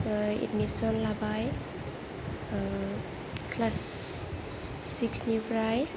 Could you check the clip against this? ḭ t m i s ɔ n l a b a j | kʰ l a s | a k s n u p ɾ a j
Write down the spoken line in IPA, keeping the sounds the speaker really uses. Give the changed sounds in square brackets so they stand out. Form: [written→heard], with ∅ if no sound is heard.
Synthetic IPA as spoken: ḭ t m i s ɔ n l a b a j | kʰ l a s | [a→i] k s n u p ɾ a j